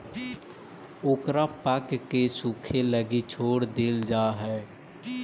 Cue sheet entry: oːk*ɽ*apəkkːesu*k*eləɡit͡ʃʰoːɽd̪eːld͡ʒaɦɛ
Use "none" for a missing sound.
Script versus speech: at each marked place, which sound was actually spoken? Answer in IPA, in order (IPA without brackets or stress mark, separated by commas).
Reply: ɾ, kʰ